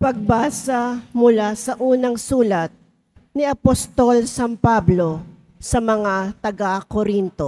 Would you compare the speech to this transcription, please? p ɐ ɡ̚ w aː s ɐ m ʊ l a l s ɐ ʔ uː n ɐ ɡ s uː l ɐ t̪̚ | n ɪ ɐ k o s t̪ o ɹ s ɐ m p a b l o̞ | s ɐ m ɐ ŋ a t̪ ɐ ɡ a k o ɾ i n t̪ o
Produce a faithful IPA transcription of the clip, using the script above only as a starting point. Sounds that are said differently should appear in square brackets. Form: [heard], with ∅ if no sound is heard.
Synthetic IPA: p ɐ ɡ̚ [b] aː s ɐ m ʊ l a [∅] s ɐ ʔ uː n ɐ [ŋ] s uː l ɐ t̪̚ | n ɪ ɐ [p] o s t̪ o [l] s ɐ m p a b l o̞ | s ɐ m ɐ ŋ a t̪ ɐ ɡ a k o ɾ i n t̪ o